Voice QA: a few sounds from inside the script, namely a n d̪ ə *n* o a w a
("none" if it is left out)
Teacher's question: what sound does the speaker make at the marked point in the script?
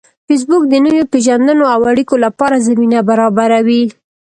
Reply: n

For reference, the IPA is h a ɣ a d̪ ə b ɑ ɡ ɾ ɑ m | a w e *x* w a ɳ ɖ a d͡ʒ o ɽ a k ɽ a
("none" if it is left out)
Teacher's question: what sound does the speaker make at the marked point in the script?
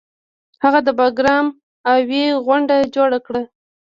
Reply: ɣ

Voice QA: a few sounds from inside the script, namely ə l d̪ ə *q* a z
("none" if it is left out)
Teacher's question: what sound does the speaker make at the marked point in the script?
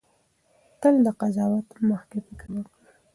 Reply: q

